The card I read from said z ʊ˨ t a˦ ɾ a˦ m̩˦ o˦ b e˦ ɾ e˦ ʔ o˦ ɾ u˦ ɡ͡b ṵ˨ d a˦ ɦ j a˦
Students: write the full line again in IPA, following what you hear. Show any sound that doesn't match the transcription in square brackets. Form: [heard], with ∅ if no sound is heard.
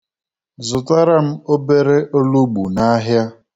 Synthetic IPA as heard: z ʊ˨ t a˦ ɾ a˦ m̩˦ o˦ b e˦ ɾ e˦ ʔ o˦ [l] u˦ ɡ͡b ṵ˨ [n] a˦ ɦ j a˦

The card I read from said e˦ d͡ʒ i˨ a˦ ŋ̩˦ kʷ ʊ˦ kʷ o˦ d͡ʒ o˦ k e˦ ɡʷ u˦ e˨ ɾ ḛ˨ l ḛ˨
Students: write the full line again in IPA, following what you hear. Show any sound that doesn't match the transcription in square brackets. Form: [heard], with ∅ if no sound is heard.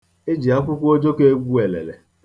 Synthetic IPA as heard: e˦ d͡ʒ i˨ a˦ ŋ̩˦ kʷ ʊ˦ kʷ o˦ d͡ʒ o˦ k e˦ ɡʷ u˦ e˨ [l] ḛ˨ l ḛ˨

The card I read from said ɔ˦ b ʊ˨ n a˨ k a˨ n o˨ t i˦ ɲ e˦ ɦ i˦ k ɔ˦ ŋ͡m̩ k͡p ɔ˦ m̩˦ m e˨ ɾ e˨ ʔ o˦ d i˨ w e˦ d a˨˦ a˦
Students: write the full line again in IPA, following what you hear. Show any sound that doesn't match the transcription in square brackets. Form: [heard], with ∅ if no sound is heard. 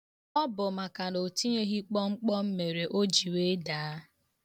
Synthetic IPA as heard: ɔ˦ b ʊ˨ [m] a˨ k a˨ n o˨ t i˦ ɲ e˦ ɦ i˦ [k͡p] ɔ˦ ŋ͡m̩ k͡p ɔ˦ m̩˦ m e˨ ɾ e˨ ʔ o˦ [d͡ʒ] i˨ w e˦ d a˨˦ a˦

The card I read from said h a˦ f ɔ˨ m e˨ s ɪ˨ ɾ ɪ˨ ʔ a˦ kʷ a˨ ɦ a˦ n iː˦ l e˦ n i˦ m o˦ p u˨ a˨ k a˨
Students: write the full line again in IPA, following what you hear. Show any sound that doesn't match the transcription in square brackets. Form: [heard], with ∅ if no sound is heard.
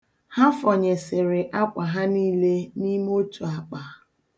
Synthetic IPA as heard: h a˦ f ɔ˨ [ɲ] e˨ s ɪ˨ ɾ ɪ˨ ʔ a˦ kʷ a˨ ɦ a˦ n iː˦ l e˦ n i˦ m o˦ [t] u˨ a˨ [k͡p] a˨

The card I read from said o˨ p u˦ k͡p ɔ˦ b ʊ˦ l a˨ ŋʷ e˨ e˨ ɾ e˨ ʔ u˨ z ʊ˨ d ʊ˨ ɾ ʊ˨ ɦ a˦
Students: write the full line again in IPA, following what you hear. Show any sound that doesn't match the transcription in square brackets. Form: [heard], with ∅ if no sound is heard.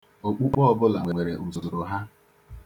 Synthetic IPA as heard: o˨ [k͡p] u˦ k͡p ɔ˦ b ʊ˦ l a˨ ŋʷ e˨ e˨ ɾ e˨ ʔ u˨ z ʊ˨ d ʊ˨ ɾ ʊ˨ ɦ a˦

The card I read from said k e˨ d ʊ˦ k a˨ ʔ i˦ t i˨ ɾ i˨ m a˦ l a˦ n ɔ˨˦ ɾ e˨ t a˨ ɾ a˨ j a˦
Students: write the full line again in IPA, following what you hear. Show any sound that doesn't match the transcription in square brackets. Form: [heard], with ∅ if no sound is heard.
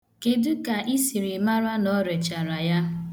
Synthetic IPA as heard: k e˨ d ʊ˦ k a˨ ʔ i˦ [s] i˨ ɾ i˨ m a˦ [ɾ] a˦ n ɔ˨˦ ɾ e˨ [t͡ʃ] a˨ ɾ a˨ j a˦

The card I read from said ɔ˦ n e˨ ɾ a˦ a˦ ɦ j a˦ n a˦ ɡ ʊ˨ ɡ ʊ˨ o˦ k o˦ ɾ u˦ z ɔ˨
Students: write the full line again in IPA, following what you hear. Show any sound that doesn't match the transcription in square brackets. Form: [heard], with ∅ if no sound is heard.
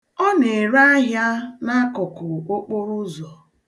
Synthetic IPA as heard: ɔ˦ n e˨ ɾ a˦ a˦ ɦ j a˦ n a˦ [k] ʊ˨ [k] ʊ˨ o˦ [k͡p] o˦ ɾ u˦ z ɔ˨

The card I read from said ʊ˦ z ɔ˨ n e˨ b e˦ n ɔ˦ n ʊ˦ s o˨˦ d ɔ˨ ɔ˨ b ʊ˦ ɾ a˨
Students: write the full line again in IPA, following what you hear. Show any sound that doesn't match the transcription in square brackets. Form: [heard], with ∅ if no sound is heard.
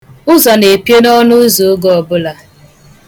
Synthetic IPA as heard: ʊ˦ z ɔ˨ n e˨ [p] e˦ n ɔ˦ n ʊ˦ [z] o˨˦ [ɡ] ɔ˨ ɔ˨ b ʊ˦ [l] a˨

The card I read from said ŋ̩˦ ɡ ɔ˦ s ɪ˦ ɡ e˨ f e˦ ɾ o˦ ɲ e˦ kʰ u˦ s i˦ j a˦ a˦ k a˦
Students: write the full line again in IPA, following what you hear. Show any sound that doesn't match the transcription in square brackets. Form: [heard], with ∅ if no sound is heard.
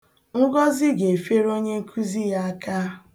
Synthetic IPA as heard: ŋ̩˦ ɡ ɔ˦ [z] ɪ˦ ɡ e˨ f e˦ ɾ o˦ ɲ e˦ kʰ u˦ [z] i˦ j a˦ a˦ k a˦

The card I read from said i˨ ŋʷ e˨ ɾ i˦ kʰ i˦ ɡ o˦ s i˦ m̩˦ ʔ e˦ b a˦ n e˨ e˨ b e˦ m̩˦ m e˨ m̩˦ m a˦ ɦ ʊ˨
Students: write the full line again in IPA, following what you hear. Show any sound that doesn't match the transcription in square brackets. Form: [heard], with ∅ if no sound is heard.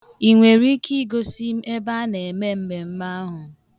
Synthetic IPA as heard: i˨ ŋʷ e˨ ɾ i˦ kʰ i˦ ɡ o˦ s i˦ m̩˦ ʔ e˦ b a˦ n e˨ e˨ [m] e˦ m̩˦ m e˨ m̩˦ m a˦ ɦ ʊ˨

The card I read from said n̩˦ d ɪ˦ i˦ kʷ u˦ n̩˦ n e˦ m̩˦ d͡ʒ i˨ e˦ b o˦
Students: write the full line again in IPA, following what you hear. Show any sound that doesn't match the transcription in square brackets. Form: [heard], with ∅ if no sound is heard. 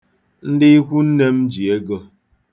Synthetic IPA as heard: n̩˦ d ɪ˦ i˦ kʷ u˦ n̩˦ n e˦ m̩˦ d͡ʒ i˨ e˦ [ɡ] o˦

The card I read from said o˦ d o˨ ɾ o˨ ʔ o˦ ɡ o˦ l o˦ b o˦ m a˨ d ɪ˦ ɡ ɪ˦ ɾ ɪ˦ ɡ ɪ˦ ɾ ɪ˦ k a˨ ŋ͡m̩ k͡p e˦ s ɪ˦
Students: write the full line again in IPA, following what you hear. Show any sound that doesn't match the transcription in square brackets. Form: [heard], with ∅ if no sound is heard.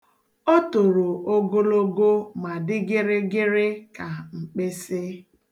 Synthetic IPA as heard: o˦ [t] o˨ ɾ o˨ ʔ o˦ ɡ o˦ l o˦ [ɡ] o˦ m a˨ d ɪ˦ ɡ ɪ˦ ɾ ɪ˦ ɡ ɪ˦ ɾ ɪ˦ k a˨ ŋ͡m̩ k͡p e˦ s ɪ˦

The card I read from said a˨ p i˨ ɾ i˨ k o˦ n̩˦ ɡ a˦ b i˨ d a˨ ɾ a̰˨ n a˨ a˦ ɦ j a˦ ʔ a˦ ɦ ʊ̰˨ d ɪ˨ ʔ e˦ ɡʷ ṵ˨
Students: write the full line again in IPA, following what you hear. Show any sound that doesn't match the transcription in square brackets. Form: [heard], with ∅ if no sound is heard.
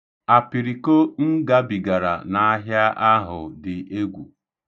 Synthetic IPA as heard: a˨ p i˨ ɾ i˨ k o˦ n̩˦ ɡ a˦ b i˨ [ɡ] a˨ ɾ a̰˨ n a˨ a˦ ɦ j a˦ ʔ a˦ ɦ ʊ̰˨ d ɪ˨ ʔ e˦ ɡʷ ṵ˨

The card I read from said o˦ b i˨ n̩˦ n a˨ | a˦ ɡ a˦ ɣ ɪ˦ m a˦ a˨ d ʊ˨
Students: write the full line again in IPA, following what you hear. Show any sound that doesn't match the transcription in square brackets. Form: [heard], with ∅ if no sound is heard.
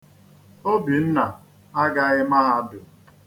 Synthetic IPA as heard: o˦ b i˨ n̩˦ n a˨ | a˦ ɡ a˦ ɣ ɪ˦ m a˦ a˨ d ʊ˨

